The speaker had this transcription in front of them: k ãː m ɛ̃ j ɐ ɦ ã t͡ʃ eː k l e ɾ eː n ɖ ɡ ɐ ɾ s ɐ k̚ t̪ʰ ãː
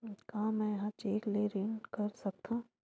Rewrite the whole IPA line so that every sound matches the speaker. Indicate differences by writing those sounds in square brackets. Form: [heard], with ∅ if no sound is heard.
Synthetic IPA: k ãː m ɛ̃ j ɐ ɦ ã t͡ʃ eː k l e ɾ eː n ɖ [k] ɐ ɾ s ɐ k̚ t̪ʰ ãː